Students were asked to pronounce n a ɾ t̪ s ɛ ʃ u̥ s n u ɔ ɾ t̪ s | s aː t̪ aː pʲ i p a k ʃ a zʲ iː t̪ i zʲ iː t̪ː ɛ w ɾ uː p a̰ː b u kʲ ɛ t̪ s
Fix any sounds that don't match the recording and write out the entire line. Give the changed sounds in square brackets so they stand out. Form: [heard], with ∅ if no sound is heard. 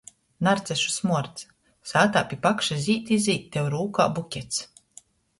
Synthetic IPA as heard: n a ɾ t̪ s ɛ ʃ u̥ s [m] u ɔ ɾ t̪ s | s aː t̪ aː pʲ i p a k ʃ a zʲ iː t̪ i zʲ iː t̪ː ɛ w ɾ uː [k] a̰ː b u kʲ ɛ t̪ s